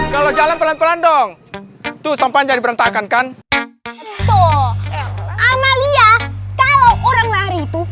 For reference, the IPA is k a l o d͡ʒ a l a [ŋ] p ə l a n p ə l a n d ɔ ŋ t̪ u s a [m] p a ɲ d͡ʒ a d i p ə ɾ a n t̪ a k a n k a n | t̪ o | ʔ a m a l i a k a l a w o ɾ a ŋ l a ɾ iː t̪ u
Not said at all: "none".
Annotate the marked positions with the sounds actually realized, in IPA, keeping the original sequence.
n, m

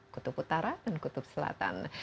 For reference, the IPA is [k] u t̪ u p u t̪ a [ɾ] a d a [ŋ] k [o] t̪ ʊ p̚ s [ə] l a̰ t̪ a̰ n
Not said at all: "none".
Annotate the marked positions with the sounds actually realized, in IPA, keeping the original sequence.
k, ɾ, n, u, ə

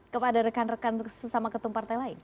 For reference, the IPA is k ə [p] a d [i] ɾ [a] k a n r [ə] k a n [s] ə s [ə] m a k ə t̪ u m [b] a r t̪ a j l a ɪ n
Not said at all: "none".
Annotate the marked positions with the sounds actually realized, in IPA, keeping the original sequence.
p, a, ə, ə, s, a, p

